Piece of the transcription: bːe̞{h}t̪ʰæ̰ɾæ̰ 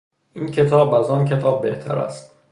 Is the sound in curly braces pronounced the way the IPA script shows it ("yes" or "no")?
yes